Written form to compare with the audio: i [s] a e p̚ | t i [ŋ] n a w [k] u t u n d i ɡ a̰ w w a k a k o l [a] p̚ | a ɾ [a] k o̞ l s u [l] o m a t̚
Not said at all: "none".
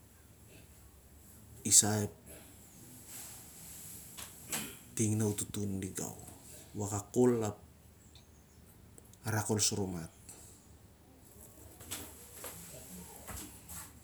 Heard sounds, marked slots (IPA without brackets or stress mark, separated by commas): s, ŋ, t, a, a, ɾ